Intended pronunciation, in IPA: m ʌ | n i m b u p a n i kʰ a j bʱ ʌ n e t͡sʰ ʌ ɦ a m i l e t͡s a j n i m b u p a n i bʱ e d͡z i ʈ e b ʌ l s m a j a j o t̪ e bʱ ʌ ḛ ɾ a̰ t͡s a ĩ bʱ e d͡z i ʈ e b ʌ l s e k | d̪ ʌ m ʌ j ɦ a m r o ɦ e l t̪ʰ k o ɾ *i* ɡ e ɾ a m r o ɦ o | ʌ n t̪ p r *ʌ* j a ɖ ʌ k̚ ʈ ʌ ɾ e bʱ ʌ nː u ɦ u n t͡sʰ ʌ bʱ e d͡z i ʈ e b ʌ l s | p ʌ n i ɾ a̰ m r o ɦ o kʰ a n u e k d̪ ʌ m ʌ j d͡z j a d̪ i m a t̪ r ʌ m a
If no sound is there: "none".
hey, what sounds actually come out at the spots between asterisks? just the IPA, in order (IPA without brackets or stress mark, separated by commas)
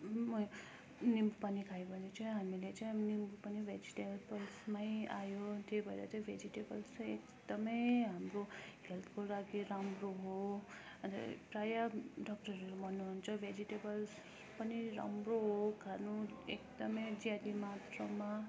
a, a